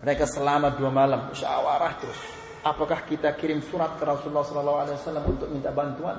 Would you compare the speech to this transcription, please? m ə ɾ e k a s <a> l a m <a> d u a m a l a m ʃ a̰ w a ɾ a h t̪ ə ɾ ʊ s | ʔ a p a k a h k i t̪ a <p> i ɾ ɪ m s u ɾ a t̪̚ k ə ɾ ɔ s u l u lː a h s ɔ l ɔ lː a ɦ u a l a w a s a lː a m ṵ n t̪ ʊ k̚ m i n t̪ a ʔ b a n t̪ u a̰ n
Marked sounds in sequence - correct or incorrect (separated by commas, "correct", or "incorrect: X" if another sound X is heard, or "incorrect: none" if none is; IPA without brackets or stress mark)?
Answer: incorrect: ə, correct, incorrect: k